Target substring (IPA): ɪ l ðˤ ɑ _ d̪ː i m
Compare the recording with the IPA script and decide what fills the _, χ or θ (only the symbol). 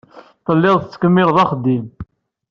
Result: χ